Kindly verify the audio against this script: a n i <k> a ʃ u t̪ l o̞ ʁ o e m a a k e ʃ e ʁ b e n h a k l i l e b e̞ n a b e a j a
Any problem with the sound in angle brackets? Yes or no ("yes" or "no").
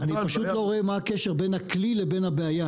yes